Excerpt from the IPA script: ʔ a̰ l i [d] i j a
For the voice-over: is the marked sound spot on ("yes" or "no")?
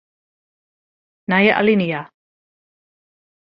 no